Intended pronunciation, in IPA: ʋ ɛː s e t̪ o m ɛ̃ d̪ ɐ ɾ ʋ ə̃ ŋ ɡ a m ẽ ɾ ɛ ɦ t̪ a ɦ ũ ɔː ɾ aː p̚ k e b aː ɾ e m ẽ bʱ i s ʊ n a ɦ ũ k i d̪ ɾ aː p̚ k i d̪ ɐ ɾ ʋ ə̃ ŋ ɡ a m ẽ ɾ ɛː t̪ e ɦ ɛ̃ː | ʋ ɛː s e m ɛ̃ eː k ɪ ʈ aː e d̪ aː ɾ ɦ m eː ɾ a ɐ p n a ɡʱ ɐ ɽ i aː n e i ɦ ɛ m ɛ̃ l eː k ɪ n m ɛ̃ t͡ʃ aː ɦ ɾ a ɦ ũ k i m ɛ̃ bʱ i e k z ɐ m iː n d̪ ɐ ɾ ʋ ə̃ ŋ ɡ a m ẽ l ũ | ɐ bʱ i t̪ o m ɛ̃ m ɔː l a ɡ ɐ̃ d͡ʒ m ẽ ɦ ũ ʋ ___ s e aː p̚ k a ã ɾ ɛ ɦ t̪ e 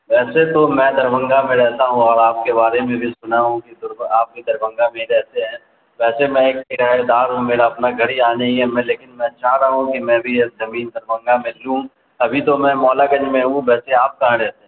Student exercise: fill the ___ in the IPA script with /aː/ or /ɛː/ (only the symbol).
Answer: ɛː